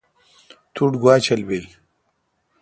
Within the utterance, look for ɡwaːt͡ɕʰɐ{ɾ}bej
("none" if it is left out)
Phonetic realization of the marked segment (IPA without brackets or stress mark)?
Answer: l